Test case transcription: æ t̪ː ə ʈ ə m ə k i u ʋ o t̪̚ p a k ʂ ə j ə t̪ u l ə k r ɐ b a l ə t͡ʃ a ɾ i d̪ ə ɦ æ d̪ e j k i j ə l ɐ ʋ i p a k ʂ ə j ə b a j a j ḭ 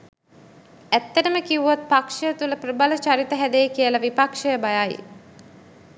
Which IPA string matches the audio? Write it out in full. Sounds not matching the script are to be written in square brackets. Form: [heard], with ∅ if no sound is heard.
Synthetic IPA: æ t̪ː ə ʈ ə m ə k i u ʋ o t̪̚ p a k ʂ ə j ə t̪ u l ə [p] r [ə] b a l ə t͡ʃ a ɾ i [t̪] ə ɦ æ d̪ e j k i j ə l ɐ ʋ i p a k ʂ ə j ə b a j a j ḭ

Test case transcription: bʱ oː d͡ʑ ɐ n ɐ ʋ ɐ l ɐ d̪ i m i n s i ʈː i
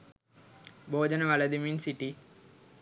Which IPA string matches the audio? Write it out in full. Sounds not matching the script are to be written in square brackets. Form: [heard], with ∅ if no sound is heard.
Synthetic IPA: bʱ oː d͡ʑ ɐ n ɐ ʋ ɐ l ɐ d̪ i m i n s i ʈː i

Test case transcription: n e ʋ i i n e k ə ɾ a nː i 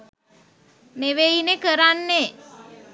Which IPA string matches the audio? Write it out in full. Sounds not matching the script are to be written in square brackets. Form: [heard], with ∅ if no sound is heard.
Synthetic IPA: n e ʋ [e] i n e k ə ɾ a nː [e]

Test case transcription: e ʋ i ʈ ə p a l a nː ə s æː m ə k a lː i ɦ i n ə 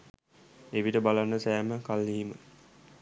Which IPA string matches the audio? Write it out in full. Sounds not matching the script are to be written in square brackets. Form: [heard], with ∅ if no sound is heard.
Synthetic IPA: e ʋ i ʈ ə [b] a l a nː ə s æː m ə k a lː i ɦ i [m] ə

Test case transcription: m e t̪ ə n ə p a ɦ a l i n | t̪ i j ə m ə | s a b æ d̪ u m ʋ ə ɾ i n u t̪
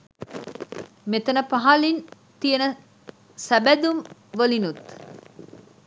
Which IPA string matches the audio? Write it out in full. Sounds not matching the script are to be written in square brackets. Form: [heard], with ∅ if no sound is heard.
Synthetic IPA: m e t̪ ə n ə p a ɦ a l i n | t̪ i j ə [n] ə | s [æ] b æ d̪ u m ʋ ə [l] i n u t̪

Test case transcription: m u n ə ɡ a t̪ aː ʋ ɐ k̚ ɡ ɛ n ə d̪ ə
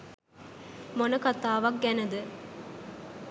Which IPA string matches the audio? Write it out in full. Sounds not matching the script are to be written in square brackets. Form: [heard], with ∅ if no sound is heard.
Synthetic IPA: m [o] n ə [k] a t̪ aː ʋ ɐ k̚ ɡ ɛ n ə d̪ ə

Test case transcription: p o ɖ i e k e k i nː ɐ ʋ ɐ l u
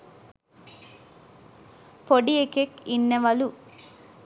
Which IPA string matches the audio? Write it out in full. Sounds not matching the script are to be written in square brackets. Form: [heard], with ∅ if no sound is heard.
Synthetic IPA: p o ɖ i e k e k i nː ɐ ʋ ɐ l u

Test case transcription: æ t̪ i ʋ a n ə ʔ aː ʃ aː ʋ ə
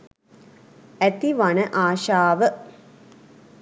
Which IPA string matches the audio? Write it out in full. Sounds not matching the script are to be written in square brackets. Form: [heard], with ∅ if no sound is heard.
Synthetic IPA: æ t̪ i ʋ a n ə ʔ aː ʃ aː ʋ ə

